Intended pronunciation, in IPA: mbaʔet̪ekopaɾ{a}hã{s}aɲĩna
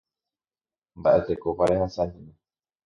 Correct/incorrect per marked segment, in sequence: incorrect: e, correct

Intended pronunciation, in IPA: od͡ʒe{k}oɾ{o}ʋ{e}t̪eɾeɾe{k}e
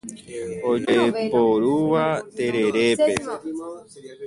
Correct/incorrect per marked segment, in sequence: incorrect: p, incorrect: u, incorrect: a, incorrect: p

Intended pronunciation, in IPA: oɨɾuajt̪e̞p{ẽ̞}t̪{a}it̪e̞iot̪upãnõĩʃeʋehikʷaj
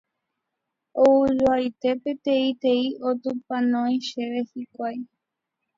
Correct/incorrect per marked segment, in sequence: incorrect: e̞, incorrect: e

